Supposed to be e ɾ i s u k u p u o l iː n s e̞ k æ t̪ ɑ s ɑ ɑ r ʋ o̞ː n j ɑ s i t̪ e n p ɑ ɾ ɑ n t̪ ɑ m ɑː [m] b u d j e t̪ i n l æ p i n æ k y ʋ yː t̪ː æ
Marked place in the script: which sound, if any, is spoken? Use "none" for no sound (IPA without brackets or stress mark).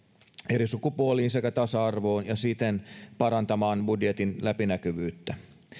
n